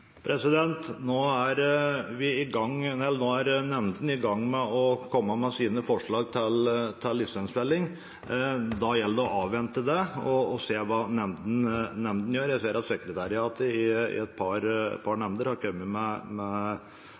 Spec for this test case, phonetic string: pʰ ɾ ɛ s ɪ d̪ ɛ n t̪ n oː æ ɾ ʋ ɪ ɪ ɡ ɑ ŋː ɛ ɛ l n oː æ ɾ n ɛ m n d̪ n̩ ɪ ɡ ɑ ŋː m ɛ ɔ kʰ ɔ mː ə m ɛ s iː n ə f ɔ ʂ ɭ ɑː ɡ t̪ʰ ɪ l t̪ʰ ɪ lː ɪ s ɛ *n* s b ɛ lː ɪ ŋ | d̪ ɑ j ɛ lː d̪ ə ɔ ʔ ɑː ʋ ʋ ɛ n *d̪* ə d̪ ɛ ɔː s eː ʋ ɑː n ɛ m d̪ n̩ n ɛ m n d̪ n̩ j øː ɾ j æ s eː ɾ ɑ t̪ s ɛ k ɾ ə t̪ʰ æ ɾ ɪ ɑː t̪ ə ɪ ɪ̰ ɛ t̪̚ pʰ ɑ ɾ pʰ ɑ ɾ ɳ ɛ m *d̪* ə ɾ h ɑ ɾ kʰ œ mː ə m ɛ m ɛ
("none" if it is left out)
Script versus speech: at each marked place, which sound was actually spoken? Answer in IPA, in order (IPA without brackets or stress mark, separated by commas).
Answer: n, t̪, d̪